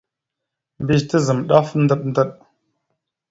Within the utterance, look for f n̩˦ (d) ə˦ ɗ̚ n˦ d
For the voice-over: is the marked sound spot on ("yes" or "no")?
yes